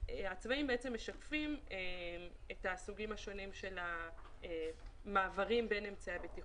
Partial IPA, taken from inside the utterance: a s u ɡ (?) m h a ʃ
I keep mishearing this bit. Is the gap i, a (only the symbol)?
i